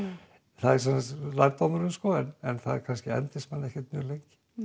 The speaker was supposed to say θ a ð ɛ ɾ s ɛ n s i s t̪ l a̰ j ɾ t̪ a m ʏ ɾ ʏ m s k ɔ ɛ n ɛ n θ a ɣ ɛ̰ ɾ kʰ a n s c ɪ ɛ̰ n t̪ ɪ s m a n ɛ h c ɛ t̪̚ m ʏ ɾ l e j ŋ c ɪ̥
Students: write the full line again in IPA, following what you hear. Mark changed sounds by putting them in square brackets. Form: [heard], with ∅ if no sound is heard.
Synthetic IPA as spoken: θ a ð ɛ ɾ s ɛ n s [a] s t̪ l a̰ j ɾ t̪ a m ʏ ɾ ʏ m s k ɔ ɛ n ɛ n θ a [ð] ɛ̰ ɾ kʰ a n s c ɪ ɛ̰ n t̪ ɪ s m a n ɛ h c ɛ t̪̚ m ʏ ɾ l e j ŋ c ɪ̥